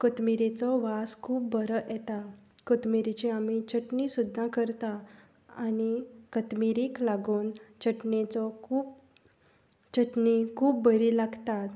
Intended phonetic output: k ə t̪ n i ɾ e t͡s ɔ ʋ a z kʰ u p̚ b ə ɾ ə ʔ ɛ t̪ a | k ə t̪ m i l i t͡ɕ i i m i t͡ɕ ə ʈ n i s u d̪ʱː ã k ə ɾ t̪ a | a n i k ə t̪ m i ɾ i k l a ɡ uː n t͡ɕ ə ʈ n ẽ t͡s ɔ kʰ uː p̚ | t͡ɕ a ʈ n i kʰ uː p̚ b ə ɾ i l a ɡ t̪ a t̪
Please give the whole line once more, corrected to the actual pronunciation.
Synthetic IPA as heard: k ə t̪ m i ɾ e t͡s ɔ ʋ a s kʰ uː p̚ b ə ɾ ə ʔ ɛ t̪ a | k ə t̪ m i ɾ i t͡ɕ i a m i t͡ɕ ə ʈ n i s u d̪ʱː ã k ə ɾ t̪ a | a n i k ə t̪ m i ɾ i k l a ɡ uː n t͡ɕ ə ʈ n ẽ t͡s ɔ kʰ uː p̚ | t͡ɕ ə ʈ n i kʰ uː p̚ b ə ɾ i l a ɡ t̪ a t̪